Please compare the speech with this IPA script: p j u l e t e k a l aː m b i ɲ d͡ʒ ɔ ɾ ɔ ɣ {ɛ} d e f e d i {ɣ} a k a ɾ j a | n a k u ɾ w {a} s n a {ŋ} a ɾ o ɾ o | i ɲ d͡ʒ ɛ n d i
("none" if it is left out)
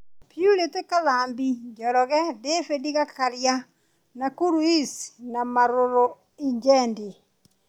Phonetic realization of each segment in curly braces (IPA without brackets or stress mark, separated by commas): ɛ, ɣ, i, m